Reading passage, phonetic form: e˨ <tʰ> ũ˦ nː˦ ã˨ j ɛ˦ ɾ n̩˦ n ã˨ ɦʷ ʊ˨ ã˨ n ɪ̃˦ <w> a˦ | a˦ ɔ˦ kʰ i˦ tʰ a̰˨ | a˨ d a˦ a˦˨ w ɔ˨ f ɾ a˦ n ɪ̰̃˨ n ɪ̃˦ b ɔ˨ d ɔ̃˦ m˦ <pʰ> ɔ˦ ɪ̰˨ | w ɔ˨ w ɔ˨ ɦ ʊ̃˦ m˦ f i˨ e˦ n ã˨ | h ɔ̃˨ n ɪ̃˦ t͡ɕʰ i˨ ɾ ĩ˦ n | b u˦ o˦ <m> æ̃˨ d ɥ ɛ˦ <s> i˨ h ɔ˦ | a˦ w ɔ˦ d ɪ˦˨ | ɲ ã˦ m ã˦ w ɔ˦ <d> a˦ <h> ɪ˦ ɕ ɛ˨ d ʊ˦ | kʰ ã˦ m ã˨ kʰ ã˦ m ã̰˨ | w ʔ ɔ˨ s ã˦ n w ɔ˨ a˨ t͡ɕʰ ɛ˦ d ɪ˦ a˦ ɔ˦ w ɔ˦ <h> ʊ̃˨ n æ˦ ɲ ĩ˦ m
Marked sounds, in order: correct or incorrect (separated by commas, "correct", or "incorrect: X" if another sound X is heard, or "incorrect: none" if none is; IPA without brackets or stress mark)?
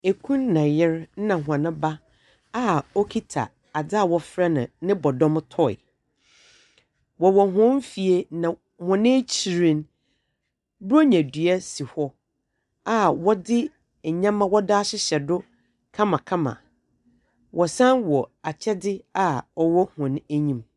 incorrect: kʰ, incorrect: b, incorrect: tʰ, incorrect: ɲ, correct, correct, incorrect: ɕ, correct